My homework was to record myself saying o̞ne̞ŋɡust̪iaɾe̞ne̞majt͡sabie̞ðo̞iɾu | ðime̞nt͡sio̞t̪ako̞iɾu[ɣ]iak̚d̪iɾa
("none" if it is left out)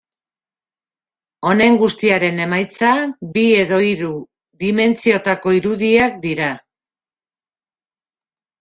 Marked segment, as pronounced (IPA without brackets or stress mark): ð